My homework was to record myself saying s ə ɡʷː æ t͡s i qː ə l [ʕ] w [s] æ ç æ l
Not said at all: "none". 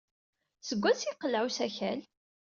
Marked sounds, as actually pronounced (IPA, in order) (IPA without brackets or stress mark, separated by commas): ʕ, s